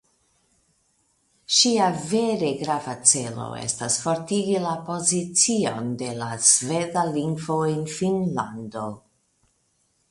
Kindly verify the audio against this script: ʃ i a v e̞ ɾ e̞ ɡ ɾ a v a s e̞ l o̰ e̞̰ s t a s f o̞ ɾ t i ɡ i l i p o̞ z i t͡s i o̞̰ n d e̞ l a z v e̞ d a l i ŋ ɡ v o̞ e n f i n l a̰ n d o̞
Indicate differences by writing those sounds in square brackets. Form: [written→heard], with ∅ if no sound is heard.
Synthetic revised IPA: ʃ i a v e̞ ɾ e̞ ɡ ɾ a v a [s→t͡s] e̞ l o̰ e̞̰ s t a s f o̞ ɾ t i ɡ i l [i→a] p o̞ z i t͡s i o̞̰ n d e̞ l a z v e̞ d a l i ŋ ɡ v o̞ e n f i n l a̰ n d o̞